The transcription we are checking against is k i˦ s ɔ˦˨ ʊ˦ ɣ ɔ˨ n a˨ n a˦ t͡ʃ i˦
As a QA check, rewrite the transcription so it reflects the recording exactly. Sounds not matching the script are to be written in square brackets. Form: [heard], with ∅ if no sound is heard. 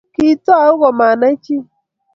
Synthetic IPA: k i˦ [t] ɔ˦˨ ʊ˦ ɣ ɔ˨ [m] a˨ n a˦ t͡ʃ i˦